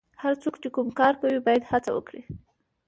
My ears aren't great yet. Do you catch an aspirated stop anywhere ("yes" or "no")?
no